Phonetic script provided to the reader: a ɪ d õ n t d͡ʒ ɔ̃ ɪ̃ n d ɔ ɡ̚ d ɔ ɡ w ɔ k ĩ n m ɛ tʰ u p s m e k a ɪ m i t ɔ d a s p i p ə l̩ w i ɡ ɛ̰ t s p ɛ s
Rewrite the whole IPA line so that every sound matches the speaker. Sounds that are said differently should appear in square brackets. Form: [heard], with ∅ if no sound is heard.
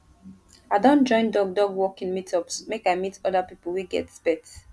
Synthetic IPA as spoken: a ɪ d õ n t d͡ʒ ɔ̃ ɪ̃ n d ɔ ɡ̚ d ɔ ɡ w ɔ k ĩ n m [i] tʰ [ɔ] p s m e k a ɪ m i t ɔ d a [∅] p i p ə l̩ w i ɡ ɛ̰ t s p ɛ [t]

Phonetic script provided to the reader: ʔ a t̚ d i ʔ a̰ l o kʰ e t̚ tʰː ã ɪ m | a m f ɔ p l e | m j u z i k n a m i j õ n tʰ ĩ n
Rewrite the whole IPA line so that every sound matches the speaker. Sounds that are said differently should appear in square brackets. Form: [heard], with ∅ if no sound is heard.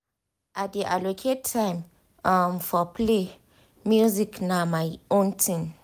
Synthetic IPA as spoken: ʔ a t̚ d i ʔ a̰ l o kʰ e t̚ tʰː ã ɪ m | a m f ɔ p l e | m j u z i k n a m [a] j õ n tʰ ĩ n

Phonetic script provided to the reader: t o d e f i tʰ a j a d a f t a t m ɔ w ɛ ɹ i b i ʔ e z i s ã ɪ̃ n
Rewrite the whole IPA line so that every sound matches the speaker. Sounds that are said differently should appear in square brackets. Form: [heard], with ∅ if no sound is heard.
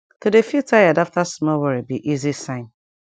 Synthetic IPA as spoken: t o d e f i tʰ a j a d a f t a [s] m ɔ w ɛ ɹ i b i ʔ [i] z i s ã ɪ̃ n

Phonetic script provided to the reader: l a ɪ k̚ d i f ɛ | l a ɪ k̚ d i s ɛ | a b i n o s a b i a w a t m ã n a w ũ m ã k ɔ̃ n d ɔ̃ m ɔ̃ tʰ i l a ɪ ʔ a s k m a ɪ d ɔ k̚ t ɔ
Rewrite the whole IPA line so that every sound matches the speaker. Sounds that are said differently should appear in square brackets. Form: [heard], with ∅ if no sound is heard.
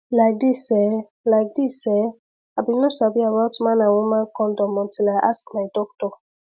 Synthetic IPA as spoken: l a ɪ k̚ d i [s] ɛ | l a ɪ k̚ d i s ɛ | a b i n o s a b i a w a t m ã n a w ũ m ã k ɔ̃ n d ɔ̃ m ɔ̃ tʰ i l a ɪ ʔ a s k m a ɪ d ɔ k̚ t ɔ

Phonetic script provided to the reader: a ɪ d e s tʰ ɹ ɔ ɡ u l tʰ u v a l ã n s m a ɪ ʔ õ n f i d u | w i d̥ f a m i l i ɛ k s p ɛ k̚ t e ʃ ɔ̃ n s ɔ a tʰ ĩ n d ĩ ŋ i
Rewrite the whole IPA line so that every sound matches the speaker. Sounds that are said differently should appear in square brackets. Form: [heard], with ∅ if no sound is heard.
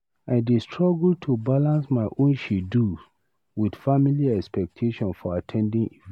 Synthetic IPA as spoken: a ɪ d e s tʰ ɹ ɔ ɡ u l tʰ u [b] a l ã n s m a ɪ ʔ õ n [ʃ] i d u | w i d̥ f a m i l i ɛ k s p ɛ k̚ [tʰ] e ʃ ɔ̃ n [f] ɔ a tʰ [ɛ̃] n d ĩ ŋ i

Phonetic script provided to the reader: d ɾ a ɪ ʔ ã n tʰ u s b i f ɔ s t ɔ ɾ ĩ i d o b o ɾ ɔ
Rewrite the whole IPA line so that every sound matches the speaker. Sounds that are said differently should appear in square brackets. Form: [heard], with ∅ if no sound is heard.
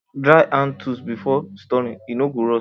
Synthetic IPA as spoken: d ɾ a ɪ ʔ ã n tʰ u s b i f ɔ s t ɔ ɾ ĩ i [n] o [ɡ] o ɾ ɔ

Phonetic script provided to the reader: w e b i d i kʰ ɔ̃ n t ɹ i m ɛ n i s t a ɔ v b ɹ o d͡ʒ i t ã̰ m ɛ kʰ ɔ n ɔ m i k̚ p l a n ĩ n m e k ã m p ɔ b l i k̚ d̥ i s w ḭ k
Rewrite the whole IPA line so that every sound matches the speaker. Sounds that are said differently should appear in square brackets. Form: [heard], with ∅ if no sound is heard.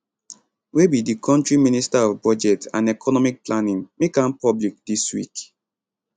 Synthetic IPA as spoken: w e b i d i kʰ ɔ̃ n t ɹ i m [i] n i s t a ɔ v b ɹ [ɔ] d͡ʒ [ɛ] t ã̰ [n] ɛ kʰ ɔ n ɔ m i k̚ p l a n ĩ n m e k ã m p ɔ b l i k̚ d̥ i s w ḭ k

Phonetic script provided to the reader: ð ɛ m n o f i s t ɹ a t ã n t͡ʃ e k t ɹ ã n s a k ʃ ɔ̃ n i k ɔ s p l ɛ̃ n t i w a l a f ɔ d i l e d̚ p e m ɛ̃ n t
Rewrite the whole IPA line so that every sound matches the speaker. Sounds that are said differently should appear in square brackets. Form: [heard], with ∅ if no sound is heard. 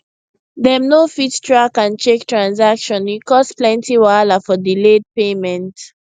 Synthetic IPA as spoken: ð ɛ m n o f i [t] t ɹ a [k] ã n t͡ʃ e k t ɹ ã n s a k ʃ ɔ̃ n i k ɔ s p l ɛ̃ n t i w a l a f ɔ d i l e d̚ p e m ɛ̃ n t

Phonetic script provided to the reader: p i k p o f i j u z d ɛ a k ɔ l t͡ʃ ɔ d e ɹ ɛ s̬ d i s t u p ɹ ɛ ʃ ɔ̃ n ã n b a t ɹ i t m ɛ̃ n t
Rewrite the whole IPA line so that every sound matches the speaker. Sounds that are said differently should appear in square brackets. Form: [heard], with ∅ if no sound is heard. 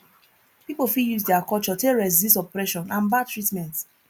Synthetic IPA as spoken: p i [∅] p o f i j u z d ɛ a k ɔ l t͡ʃ ɔ [t] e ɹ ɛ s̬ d i s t [ɔ] p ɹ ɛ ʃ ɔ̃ n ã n b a t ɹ i t m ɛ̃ n t

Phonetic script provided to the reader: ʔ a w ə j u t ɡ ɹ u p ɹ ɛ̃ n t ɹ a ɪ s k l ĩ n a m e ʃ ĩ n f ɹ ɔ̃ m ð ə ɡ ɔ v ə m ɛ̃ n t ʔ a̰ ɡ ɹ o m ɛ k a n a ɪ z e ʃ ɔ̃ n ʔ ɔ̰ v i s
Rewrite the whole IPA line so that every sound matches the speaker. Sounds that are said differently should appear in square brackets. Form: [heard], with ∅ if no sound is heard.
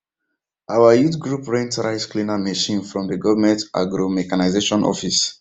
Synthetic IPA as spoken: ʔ a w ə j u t ɡ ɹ u p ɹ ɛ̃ n t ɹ a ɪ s k l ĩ n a m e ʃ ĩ n f ɹ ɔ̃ m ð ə ɡ ɔ v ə m ɛ̃ n t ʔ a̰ ɡ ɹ o m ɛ k a n a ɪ z e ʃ ɔ̃ n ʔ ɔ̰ [f] i s

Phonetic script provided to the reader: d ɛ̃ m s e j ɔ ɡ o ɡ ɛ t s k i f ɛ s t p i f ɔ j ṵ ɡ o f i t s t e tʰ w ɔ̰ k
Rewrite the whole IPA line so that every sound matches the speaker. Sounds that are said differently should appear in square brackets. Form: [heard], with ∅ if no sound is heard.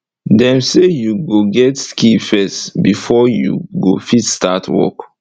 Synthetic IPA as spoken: d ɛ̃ m s e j [u] ɡ o ɡ ɛ t s k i f ɛ s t [b] i f ɔ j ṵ ɡ o f i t s t [a] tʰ w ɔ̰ k

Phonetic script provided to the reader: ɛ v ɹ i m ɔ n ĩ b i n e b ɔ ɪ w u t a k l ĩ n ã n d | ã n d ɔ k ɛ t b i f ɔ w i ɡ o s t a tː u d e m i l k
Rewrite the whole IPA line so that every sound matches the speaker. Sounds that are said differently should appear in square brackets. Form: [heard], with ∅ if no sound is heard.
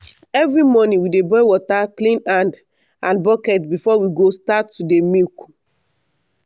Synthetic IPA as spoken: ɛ v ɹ i m ɔ n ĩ [w] i [d] e b ɔ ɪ w [ɔ] t a k l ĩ n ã n d | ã n [b] ɔ k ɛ t b i f ɔ w i ɡ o s t a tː u d e m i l k

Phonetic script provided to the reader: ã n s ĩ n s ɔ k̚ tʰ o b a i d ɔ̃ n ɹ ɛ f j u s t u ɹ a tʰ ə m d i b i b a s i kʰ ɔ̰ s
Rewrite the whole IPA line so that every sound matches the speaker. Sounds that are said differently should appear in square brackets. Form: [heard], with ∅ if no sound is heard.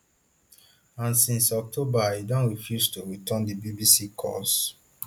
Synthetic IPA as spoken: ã n s ĩ n s ɔ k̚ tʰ o b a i d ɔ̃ n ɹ [i] f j u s t u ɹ [i] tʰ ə [n] d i b i b [i] s i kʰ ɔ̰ s

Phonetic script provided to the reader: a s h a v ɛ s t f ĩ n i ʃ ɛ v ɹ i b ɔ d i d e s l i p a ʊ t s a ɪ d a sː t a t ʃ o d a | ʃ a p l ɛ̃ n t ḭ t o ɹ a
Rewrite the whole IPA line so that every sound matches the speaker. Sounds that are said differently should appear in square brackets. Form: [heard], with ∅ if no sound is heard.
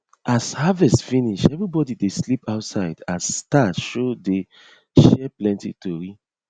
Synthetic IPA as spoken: a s h a v ɛ s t f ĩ n i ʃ ɛ v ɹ i b ɔ d i d e s l i p a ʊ t s a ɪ d a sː t a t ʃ o d [e] | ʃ [ɛ] p l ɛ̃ n t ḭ t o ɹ [i]

